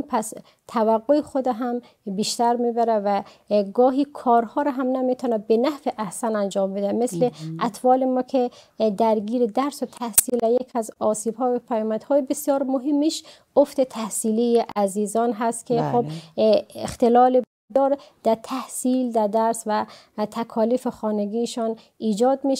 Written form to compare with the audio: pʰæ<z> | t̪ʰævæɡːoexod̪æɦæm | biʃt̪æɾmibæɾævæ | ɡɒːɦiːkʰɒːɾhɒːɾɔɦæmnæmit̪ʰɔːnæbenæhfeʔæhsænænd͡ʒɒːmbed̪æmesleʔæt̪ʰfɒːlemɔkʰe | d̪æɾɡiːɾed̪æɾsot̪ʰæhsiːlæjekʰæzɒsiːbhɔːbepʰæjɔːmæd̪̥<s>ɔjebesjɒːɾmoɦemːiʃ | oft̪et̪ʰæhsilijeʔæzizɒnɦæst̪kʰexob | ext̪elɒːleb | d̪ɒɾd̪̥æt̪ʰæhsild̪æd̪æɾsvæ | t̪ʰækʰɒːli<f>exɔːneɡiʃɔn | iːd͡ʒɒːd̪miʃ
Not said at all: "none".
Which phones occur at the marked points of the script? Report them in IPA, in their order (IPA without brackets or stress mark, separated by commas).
s, h, f